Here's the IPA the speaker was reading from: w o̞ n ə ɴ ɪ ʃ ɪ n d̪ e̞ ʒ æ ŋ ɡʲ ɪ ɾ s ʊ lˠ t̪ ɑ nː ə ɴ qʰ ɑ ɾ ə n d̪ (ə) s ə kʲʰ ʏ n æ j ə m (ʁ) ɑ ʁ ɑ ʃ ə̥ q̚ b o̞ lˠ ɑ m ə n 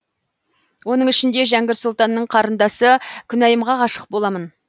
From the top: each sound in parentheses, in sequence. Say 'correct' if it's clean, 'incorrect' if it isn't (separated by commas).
incorrect, correct